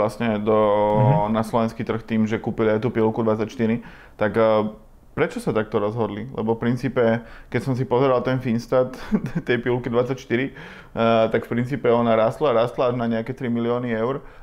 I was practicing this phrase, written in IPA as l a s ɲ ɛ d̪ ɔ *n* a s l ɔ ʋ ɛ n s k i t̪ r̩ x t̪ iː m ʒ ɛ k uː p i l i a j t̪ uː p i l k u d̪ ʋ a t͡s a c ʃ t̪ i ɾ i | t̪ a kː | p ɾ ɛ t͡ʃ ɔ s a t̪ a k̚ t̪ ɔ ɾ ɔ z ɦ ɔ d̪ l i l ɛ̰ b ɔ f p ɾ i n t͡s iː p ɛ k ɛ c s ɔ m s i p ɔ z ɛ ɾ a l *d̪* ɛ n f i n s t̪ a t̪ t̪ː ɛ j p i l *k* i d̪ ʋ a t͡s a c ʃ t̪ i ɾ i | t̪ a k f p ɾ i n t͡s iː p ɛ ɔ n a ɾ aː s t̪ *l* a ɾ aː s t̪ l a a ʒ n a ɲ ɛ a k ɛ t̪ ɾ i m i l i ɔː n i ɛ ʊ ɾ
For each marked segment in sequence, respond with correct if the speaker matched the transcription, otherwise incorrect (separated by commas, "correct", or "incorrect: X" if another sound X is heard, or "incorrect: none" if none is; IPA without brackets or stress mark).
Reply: correct, incorrect: t̪, correct, correct